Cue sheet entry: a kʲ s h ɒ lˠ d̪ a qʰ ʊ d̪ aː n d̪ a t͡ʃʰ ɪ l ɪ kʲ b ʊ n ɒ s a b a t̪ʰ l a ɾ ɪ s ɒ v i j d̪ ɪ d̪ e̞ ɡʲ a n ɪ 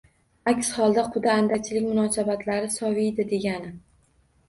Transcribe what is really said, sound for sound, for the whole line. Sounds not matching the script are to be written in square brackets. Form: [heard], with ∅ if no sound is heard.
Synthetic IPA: a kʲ s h ɒ lˠ d̪ a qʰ ʊ d̪ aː n d̪ a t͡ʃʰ ɪ l ɪ kʲ [m] ʊ n ɒ s a b a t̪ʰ l a ɾ ɪ s ɒ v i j d̪ ɪ d̪ e̞ ɡʲ a n ɪ